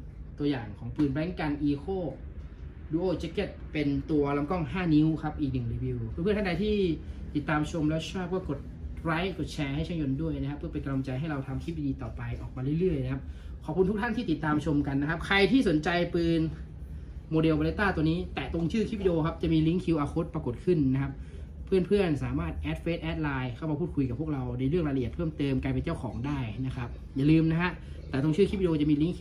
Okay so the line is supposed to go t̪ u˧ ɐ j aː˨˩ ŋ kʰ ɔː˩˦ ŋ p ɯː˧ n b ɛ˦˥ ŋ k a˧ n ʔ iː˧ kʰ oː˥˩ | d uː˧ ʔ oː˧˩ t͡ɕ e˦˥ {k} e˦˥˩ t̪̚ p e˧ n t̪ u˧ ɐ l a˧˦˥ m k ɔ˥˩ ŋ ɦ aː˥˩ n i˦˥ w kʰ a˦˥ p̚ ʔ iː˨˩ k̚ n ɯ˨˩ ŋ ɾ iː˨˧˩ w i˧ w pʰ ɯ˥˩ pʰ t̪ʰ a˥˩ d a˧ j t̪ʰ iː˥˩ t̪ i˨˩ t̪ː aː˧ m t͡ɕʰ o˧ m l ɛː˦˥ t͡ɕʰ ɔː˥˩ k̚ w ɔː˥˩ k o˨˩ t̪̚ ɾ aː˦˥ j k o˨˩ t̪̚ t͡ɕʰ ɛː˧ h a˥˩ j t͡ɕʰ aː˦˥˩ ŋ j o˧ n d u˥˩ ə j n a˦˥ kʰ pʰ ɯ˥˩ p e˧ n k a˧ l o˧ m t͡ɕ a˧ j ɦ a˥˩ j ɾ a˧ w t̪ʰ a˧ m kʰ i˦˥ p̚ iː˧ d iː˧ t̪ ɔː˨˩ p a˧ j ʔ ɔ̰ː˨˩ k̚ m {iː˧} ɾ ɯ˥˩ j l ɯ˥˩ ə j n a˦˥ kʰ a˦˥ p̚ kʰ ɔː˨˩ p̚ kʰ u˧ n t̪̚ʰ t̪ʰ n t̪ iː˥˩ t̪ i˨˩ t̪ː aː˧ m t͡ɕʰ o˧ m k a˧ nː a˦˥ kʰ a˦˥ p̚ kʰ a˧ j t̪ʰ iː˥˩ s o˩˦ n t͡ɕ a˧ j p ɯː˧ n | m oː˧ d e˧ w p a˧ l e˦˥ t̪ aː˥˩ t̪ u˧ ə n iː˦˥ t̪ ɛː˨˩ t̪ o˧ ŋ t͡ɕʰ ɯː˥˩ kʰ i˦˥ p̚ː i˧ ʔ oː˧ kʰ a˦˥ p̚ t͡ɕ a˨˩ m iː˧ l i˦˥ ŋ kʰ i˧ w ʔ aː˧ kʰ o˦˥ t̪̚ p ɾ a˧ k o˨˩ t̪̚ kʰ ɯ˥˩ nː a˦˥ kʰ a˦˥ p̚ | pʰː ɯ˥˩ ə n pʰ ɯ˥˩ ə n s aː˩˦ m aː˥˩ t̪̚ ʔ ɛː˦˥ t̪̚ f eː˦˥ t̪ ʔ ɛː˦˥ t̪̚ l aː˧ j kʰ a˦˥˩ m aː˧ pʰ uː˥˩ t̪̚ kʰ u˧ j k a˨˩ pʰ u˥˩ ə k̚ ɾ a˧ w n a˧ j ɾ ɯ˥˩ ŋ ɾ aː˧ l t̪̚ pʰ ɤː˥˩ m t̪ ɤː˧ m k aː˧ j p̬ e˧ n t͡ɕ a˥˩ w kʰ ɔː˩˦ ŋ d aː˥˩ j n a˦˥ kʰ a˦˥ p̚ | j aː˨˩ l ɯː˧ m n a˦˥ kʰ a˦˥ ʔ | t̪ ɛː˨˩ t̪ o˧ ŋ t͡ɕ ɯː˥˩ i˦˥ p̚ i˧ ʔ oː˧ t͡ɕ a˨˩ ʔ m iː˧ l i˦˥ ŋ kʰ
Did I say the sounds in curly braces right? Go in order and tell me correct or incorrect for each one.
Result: correct, incorrect: aː˧

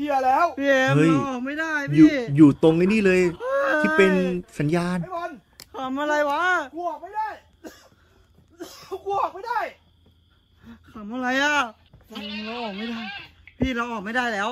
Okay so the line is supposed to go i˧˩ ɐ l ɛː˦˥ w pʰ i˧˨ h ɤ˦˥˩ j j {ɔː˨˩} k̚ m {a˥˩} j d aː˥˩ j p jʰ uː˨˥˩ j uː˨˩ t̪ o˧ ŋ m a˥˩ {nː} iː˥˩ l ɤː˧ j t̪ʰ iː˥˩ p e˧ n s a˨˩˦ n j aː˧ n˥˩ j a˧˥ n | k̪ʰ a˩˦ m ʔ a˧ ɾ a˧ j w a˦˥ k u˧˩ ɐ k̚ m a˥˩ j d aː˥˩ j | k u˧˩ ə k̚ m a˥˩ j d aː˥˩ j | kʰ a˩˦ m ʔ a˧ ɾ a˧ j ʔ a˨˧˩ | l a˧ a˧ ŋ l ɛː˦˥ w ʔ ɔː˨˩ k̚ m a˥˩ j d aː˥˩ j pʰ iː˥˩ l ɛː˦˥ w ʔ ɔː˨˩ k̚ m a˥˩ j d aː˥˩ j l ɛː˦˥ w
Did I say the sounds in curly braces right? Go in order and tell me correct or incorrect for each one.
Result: correct, correct, incorrect: n

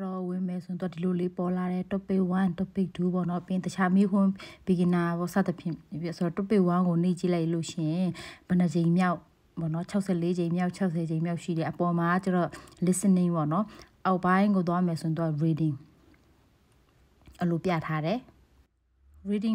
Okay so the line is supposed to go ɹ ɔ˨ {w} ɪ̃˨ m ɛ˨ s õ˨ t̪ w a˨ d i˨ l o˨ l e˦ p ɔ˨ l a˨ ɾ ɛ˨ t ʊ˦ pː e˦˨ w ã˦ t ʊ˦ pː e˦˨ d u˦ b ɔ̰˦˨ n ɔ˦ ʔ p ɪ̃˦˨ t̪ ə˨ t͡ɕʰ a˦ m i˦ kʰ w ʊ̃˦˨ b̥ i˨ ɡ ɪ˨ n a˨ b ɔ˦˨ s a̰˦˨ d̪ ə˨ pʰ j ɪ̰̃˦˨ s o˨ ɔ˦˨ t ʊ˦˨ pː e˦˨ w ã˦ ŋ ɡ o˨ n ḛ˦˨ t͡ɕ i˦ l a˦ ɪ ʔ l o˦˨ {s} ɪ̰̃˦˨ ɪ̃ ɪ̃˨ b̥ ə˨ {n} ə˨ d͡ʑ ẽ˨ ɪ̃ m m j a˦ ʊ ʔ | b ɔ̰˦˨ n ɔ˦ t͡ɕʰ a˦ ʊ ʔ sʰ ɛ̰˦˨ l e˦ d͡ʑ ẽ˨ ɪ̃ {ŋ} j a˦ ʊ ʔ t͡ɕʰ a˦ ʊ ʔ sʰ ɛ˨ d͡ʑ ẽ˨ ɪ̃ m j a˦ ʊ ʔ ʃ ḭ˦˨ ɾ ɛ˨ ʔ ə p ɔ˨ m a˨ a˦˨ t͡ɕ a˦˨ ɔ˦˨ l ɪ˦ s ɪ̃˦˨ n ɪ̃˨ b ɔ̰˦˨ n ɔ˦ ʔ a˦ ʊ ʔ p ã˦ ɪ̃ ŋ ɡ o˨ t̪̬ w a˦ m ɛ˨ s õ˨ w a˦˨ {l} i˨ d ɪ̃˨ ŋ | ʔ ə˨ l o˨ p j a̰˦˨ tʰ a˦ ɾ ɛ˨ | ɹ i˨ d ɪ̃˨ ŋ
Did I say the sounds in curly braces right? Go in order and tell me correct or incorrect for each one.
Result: correct, incorrect: ʃ, correct, incorrect: m, incorrect: ɹ

